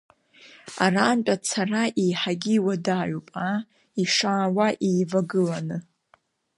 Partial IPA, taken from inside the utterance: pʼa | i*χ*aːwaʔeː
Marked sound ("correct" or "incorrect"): incorrect